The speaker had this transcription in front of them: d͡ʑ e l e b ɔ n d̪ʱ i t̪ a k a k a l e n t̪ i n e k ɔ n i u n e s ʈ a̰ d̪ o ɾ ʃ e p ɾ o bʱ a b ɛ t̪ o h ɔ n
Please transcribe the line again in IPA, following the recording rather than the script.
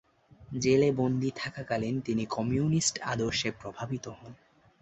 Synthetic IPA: d͡ʑ e l e b o n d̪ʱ i t̪ʰ a k a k a l e n t̪ i n i k ɔ m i u n i s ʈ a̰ d̪ o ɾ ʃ e p ɾ o bʱ a b i t̪ o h ɔ n

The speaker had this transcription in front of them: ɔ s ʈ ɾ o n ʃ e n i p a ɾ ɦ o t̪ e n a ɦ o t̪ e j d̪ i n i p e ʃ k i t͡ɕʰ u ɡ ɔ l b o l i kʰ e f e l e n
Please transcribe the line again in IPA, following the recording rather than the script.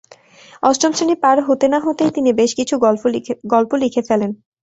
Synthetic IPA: ɔ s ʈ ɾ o m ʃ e n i p a ɾ ɦ o t̪ e n a ɦ o t̪ e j t̪ i n i b e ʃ k i t͡ɕʰ u ɡ ɔ l p o l i kʰ e f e l e n

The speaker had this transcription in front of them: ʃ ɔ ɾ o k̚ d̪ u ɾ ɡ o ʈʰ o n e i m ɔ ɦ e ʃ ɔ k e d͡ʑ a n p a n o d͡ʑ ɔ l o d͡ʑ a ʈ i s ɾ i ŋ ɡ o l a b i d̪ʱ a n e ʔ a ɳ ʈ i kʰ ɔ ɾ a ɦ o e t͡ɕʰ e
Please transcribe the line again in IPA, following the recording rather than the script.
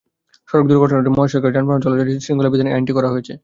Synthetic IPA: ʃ ɔ ɾ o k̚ d̪ u ɾ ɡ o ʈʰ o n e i m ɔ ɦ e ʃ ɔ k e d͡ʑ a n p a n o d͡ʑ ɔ l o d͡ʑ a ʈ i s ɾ i ŋ ɡ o l a b i d̪ʱ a n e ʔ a ɳ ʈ i k ɔ ɾ a ɦ o e t͡ɕʰ e

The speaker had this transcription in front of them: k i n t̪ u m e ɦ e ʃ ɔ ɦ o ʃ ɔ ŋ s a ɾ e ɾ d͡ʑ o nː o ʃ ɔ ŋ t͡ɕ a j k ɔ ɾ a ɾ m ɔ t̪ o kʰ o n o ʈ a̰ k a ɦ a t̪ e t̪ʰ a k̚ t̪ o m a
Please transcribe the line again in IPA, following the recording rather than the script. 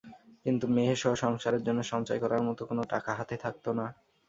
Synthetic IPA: k i n t̪ u m e ɦ e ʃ ɔ ɦ o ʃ ɔ ŋ ʃ a ɾ e ɾ d͡ʑ o nː o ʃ ɔ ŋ t͡ɕ a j k ɔ ɾ a ɾ m ɔ t̪ o k o n o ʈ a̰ k a ɦ a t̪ e t̪ʰ a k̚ t̪ o n a

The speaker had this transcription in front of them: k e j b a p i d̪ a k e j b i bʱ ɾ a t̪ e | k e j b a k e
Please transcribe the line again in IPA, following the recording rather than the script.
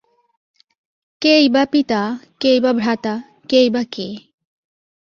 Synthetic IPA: k e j b a p i t̪ a k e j b a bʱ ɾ a t̪ a | k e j b a k e

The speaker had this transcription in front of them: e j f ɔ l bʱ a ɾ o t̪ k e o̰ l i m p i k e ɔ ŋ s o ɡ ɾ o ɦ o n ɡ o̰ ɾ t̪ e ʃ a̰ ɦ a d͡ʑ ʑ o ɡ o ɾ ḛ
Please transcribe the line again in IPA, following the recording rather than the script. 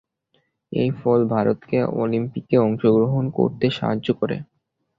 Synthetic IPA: e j f ɔ l bʱ a ɾ o t̪ k e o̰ l i m p i k e ɔ ŋ ʃ o ɡ ɾ o ɦ o n k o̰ ɾ t̪ e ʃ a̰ ɦ a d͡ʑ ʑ o k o ɾ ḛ

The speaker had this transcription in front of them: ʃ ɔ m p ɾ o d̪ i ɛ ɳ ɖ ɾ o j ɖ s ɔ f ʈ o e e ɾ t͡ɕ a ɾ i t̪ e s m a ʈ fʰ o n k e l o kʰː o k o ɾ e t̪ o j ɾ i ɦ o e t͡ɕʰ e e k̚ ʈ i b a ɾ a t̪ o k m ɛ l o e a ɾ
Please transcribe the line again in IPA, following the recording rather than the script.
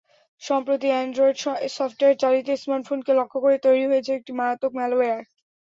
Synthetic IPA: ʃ ɔ m p ɾ o t̪ i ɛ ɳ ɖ ɾ o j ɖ s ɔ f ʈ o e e ɾ t͡ɕ a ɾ i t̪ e s m a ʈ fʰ o n k e l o kʰː o k o ɾ e t̪ o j ɾ i ɦ o e t͡ɕʰ e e k̚ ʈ i m a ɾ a t̪ o k m ɛ l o e a ɾ

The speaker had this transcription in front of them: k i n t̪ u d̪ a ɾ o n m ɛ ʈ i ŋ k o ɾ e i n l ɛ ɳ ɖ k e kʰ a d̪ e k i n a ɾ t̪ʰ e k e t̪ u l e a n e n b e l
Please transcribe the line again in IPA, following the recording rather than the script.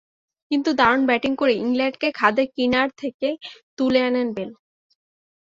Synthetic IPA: k i n t̪ u d̪ a ɾ o n b ɛ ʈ i ŋ k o ɾ e i ŋ l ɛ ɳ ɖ k e kʰ a d̪ e k i n a ɾ t̪ʰ e k e t̪ u l e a n e n b e l

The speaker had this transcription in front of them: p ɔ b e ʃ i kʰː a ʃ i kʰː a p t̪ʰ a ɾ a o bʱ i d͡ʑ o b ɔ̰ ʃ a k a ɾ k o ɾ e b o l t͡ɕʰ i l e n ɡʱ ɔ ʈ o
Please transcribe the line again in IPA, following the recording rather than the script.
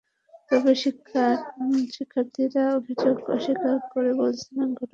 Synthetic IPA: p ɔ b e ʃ i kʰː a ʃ i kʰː a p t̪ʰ i ɾ a o bʱ i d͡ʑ o ɡ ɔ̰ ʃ i k a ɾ k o ɾ e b o l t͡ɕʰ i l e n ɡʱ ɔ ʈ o

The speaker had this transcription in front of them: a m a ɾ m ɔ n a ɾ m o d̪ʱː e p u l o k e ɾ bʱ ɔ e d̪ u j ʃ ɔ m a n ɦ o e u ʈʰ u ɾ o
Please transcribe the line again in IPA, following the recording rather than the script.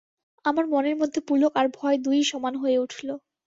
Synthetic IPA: a m a ɾ m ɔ n e ɾ m o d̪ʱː e p u l o k a ɾ bʱ ɔ e d̪ u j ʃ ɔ m a n ɦ o e u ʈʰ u l o

